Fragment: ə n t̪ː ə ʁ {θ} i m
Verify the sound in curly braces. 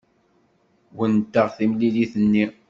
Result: correct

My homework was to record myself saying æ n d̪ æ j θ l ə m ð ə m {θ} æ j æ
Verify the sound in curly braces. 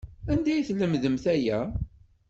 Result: correct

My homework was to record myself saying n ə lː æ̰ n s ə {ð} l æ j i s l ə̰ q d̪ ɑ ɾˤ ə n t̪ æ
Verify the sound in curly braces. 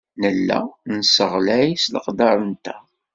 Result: incorrect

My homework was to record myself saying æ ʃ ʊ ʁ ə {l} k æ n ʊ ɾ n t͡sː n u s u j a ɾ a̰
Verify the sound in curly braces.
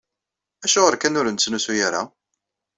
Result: incorrect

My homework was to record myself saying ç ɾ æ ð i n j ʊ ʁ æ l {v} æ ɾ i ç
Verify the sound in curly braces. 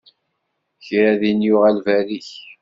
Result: correct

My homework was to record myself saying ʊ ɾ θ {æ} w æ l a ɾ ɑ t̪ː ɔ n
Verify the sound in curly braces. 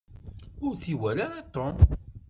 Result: incorrect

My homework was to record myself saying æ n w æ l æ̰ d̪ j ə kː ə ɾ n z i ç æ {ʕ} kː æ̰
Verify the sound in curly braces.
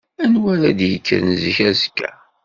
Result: incorrect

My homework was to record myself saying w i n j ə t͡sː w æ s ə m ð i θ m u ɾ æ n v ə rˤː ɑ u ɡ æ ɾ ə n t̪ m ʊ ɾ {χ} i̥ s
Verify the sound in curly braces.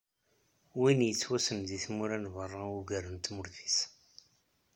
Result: incorrect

